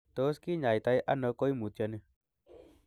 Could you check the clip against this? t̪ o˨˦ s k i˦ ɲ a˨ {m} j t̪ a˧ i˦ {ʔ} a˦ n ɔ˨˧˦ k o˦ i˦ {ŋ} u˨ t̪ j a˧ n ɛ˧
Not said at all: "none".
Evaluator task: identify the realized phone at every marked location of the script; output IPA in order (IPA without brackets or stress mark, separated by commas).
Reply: none, ʔ, m